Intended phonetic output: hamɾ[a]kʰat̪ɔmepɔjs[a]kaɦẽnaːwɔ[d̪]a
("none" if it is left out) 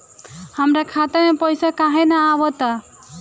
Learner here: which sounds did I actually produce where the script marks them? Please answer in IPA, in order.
a, a, t̪

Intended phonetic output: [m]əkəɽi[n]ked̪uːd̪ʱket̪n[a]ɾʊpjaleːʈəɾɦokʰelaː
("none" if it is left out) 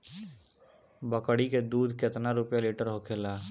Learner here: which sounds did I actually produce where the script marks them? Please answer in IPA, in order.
b, none, a

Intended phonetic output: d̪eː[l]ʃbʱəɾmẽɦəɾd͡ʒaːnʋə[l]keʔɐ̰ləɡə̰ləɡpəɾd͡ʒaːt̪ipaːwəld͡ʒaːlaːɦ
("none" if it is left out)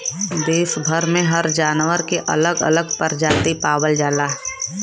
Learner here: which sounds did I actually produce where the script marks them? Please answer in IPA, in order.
none, ɾ

